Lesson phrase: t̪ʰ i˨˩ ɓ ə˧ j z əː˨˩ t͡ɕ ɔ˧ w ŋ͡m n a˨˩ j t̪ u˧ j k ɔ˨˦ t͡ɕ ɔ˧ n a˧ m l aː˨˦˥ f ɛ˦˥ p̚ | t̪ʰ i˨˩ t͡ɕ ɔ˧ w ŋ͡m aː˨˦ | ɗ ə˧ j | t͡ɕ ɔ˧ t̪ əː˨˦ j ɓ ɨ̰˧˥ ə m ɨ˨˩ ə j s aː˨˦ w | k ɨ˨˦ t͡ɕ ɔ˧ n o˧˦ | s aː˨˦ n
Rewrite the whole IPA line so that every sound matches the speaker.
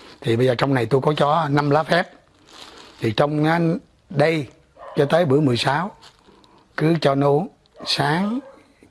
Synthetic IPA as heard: t̪ʰ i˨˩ ɓ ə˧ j z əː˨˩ t͡ɕ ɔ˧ w ŋ͡m n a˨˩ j t̪ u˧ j k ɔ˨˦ t͡ɕ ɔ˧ n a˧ m l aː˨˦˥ f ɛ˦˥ p̚ | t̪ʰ i˨˩ t͡ɕ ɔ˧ w ŋ͡m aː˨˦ | ɗ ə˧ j | t͡ɕ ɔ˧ t̪ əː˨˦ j ɓ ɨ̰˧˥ ə m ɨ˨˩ ə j s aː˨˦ w | k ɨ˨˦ t͡ɕ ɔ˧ n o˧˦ | s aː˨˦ ŋ